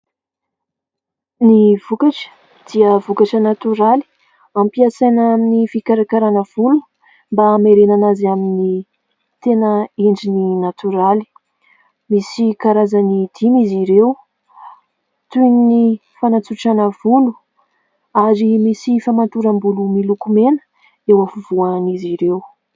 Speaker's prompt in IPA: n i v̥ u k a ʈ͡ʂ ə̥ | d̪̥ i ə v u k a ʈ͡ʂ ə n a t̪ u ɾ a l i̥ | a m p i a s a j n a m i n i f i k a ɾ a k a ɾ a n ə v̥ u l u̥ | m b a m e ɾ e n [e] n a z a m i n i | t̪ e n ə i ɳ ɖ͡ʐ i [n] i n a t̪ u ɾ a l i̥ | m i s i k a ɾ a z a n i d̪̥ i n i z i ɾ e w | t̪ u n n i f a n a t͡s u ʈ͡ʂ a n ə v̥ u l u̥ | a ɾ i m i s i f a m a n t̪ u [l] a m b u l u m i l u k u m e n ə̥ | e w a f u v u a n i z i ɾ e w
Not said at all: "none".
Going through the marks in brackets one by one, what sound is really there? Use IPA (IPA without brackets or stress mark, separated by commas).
a, n, ɾ